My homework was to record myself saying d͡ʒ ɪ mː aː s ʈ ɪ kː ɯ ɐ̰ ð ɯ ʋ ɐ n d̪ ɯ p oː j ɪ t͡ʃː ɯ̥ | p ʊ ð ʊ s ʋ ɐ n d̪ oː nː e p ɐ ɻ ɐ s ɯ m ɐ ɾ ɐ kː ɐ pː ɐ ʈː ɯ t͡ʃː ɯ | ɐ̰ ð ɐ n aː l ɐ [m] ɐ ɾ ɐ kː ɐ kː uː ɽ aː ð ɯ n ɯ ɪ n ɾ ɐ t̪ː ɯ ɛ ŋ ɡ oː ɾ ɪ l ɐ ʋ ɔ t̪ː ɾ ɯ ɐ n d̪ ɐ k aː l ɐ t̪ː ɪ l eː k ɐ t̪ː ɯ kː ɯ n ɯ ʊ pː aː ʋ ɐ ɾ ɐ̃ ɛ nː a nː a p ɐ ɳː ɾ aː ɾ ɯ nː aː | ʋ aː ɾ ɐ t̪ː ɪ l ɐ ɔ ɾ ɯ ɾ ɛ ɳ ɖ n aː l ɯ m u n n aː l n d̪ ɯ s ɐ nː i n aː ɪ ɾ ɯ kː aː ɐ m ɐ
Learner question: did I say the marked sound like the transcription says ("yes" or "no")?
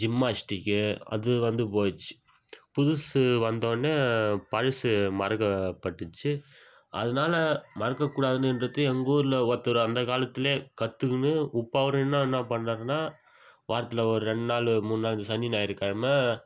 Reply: yes